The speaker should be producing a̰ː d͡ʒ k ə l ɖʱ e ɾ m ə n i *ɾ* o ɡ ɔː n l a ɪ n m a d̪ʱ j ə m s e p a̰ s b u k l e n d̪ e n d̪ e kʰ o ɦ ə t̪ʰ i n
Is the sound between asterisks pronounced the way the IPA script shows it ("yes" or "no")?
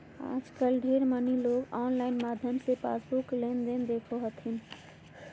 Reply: no